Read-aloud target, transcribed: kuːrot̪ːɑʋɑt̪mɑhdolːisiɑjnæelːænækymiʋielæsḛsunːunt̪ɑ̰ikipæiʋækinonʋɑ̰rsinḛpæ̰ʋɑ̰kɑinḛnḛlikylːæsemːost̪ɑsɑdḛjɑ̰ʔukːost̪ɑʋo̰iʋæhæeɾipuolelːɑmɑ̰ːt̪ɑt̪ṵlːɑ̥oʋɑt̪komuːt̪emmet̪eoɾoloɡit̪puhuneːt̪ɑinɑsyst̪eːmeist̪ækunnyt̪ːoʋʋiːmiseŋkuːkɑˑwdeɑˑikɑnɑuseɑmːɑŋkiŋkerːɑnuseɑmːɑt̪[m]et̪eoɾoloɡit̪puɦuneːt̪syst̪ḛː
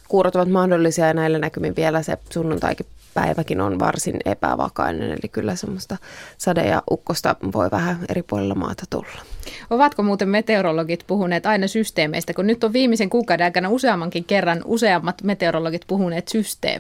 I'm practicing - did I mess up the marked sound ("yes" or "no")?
no